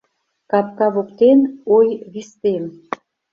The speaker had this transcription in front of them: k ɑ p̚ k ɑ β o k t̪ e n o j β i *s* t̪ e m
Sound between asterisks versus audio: correct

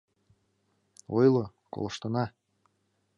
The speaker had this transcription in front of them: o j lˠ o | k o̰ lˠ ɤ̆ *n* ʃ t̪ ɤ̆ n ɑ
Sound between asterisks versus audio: incorrect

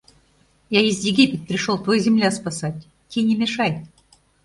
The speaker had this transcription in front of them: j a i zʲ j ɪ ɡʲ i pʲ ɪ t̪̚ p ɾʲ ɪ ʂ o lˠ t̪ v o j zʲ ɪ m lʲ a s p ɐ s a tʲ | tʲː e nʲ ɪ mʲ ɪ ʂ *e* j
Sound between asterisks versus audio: incorrect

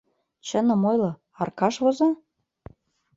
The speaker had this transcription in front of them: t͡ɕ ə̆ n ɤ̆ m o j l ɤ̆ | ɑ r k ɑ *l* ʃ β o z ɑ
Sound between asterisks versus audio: incorrect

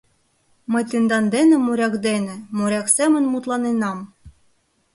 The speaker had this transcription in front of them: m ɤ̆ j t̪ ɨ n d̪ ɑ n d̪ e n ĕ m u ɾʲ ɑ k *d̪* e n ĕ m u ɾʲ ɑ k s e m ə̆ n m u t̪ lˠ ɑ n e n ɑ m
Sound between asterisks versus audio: correct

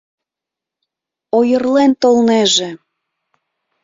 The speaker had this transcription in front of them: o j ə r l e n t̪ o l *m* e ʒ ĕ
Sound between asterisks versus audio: incorrect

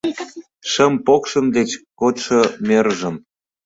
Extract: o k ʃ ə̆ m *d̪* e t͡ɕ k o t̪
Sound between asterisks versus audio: correct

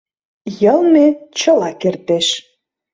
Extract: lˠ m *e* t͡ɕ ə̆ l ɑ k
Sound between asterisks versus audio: correct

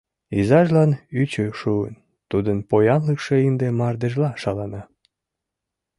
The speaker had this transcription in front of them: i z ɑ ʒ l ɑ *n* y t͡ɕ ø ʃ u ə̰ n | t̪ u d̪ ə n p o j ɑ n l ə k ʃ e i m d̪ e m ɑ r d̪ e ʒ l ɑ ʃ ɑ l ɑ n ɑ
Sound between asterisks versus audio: correct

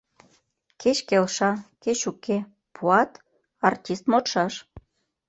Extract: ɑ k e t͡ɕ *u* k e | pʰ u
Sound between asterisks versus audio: correct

